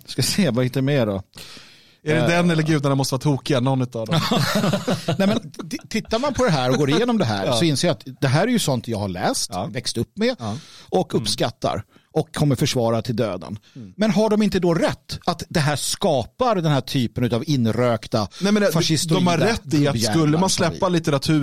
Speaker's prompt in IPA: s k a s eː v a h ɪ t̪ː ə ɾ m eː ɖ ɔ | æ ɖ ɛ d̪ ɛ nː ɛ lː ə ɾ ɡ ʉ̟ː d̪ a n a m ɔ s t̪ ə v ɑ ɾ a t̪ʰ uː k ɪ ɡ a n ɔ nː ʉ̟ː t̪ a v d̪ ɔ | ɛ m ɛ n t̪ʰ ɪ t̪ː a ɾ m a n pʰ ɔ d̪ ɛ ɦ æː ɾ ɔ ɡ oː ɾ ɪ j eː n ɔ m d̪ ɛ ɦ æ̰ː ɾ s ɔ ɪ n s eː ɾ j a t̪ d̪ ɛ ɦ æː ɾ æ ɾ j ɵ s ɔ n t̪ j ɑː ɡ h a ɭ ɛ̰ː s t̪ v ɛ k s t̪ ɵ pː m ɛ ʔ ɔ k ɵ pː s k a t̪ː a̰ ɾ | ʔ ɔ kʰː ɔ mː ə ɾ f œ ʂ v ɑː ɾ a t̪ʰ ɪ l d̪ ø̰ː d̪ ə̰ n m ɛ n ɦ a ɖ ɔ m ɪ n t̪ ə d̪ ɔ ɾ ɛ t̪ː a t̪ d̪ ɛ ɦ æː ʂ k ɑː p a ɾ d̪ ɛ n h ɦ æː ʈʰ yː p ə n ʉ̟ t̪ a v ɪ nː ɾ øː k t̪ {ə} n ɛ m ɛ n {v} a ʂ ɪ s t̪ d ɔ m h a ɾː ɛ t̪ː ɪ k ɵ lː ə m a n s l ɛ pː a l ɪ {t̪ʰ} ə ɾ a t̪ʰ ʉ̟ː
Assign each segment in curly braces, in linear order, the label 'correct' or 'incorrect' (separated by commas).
incorrect, incorrect, incorrect